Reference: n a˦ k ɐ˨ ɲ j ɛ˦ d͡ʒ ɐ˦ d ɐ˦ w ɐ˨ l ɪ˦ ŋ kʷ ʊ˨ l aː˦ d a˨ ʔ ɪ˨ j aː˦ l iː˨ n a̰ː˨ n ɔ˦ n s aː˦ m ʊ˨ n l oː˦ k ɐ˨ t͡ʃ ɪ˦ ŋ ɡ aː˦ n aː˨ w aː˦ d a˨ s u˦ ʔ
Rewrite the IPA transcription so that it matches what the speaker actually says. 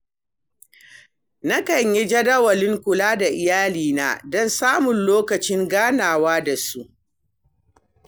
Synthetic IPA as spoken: n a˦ k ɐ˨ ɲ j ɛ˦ d͡ʒ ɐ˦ d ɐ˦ w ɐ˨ l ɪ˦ ŋ kʷ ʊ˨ l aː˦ d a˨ ʔ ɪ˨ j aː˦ l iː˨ n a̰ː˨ d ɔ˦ n s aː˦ m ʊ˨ n l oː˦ k ɐ˨ t͡ʃ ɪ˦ ŋ ɡ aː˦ n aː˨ w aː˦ d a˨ s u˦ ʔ